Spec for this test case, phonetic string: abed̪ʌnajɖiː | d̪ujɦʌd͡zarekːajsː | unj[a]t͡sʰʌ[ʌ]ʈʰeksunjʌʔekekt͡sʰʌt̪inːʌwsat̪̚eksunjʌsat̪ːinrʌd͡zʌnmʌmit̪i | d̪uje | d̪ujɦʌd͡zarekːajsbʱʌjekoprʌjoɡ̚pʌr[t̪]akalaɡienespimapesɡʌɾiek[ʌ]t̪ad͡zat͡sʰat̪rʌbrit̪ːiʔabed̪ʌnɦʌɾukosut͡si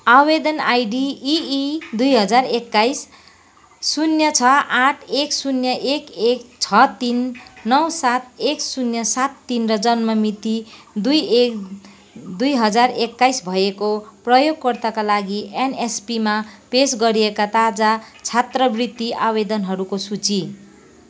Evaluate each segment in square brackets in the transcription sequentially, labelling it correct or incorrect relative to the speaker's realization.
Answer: incorrect: ʌ, incorrect: a, correct, incorrect: a

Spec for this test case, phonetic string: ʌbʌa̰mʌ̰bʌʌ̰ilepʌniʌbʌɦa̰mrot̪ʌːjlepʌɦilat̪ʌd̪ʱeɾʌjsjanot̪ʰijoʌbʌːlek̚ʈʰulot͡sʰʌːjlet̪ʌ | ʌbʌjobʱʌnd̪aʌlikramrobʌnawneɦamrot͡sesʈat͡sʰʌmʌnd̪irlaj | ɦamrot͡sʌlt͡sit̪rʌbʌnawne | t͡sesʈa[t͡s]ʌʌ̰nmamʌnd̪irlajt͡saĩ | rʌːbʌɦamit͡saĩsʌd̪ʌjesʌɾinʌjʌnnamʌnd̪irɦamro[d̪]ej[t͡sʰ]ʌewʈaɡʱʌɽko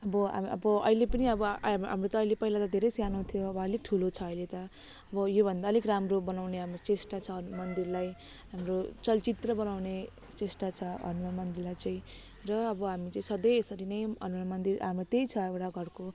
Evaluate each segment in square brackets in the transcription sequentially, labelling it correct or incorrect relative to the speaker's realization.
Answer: incorrect: t͡sʰ, incorrect: t̪, correct

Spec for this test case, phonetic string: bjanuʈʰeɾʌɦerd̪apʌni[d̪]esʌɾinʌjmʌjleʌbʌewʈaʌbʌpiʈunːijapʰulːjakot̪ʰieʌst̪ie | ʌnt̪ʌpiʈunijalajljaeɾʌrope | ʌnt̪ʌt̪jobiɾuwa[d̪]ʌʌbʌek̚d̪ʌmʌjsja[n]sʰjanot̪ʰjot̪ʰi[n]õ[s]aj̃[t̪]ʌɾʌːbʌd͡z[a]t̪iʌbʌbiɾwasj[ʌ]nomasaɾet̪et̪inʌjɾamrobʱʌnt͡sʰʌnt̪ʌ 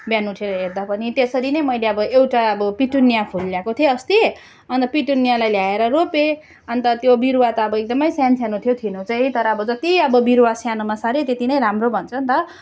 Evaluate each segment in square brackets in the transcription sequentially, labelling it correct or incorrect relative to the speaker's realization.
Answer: incorrect: t̪, incorrect: t̪, correct, correct, incorrect: t͡s, correct, incorrect: ʌ, incorrect: a

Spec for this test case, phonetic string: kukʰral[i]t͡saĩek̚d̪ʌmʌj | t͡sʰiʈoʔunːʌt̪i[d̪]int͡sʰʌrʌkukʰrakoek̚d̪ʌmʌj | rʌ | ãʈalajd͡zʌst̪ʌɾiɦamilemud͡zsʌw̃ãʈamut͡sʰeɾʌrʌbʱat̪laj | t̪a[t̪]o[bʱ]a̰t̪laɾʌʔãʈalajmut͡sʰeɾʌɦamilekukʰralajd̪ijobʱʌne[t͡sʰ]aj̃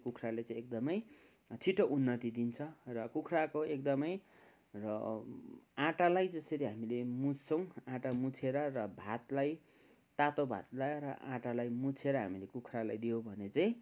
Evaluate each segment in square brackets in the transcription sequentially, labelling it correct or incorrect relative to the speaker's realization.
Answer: incorrect: e, correct, correct, correct, incorrect: t͡s

